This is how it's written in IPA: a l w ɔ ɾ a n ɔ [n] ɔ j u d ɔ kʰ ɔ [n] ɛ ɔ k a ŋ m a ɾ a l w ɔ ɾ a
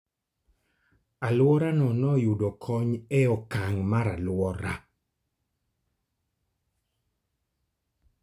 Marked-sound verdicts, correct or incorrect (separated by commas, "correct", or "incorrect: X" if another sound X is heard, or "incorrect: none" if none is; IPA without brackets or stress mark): correct, incorrect: ɲ